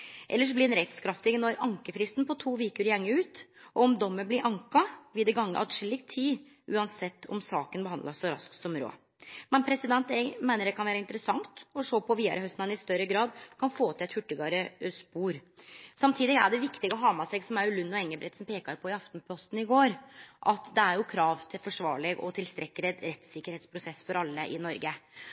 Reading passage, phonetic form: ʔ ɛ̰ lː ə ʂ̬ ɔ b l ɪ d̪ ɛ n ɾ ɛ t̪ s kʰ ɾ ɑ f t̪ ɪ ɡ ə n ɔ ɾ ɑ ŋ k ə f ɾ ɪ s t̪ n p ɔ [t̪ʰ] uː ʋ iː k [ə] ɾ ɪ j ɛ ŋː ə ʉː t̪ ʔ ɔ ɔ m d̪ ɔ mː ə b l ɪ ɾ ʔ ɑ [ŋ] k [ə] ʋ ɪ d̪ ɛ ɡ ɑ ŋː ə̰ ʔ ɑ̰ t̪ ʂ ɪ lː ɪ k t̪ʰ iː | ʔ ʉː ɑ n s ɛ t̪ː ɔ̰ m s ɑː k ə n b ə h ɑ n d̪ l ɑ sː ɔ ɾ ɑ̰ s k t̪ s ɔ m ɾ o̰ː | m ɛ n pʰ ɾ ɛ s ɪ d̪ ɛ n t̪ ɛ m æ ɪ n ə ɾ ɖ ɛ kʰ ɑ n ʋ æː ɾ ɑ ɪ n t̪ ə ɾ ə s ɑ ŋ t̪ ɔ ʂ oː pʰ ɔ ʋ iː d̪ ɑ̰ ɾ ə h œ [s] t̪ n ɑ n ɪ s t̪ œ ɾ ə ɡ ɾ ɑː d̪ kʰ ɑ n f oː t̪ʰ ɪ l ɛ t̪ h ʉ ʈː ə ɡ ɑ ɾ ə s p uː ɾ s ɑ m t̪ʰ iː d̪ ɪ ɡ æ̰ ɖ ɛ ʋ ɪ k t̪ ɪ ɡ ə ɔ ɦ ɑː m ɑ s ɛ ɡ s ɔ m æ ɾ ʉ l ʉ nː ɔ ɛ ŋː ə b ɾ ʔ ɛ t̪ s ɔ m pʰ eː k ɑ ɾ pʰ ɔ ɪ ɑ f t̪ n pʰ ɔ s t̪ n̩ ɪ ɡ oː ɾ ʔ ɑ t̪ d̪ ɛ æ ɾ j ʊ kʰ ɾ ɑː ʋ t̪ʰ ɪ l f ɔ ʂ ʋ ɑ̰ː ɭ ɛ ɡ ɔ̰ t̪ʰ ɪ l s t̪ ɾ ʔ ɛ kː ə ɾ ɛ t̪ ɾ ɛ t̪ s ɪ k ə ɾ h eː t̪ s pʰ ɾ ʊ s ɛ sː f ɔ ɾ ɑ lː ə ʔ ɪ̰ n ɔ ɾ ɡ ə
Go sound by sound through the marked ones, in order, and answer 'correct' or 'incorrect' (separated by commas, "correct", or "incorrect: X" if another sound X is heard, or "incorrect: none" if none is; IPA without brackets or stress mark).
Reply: correct, correct, correct, incorrect: ɑ, correct